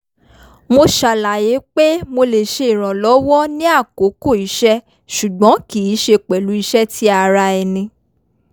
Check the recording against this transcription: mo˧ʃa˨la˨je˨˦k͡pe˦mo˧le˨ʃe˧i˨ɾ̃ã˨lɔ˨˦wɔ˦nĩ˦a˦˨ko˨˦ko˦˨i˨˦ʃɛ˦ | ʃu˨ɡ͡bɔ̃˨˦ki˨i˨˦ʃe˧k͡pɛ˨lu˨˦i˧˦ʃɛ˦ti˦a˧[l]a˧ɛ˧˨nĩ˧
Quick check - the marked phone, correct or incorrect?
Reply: incorrect